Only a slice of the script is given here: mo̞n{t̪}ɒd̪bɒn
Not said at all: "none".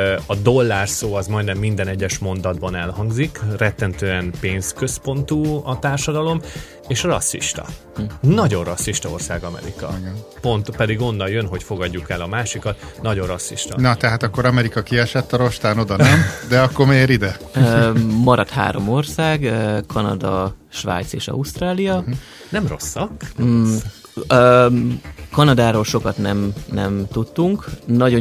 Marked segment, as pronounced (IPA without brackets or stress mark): d̪